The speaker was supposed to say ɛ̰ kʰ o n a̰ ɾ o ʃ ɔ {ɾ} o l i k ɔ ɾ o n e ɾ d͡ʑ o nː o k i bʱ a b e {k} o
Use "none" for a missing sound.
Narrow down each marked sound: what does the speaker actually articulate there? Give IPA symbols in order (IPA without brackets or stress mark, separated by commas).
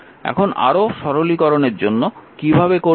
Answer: ɾ, k